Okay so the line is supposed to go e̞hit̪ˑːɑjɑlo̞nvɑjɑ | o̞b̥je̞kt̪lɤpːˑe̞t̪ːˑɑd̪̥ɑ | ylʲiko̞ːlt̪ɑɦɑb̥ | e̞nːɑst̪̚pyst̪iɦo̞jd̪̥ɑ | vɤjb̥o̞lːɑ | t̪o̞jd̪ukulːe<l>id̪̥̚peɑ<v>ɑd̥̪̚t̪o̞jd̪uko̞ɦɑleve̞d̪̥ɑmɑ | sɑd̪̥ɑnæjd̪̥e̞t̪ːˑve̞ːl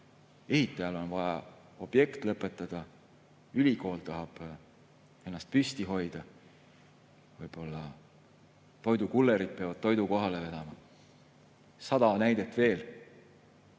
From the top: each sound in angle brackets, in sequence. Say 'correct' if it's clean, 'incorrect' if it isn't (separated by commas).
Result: incorrect, correct